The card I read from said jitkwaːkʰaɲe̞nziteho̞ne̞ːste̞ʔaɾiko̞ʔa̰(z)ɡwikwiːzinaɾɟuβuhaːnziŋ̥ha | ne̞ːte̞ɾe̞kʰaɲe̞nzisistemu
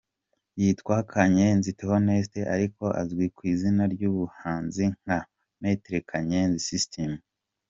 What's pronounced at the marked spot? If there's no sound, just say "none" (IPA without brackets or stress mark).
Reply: z